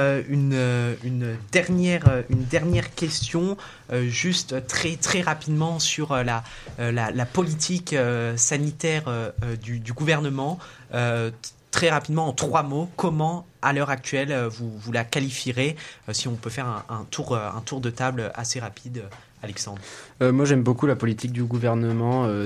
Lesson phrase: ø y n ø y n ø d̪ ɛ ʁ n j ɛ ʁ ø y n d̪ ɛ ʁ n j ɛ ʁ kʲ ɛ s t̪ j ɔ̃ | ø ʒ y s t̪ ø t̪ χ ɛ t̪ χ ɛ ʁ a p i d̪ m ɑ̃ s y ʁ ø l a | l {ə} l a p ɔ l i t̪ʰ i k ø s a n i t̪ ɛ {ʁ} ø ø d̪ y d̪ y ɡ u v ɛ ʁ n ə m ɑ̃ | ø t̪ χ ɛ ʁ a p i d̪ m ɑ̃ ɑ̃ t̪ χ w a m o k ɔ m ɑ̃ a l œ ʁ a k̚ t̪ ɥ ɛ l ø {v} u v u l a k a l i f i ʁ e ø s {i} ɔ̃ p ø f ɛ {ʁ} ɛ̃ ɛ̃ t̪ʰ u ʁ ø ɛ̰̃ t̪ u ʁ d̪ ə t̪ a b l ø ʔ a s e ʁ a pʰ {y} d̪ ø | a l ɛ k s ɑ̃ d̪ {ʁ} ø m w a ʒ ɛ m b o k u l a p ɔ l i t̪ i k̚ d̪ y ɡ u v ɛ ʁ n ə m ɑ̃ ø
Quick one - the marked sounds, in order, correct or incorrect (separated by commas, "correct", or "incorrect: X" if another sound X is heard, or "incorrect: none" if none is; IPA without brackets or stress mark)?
incorrect: a, correct, correct, correct, correct, incorrect: i, correct